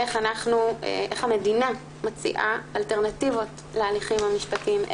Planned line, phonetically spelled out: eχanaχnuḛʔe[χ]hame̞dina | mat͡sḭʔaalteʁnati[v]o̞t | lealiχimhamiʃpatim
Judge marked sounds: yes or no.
yes, yes

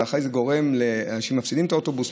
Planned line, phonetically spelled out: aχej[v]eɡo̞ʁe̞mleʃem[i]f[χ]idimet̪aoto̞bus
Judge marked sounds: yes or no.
no, no, no

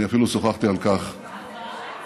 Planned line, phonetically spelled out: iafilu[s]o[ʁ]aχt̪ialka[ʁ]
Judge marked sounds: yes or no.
yes, no, no

